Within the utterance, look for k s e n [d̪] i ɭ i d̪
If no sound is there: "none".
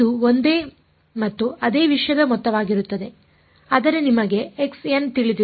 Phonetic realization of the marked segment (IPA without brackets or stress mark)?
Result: t̪